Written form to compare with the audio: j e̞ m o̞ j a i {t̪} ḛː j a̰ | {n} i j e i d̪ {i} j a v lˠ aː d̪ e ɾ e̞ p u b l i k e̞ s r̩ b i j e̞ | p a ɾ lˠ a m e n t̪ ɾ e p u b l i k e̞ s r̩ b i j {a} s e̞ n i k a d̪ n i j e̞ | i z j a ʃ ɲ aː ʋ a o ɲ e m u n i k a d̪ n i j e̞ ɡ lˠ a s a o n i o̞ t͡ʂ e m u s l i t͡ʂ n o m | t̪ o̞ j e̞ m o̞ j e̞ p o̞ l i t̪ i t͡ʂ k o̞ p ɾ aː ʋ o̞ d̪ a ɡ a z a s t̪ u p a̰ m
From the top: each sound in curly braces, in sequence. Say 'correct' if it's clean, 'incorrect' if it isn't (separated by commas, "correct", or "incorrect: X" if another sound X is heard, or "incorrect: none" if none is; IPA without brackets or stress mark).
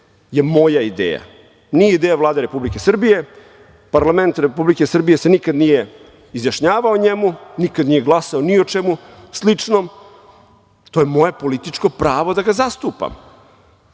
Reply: incorrect: d̪, correct, incorrect: e, incorrect: e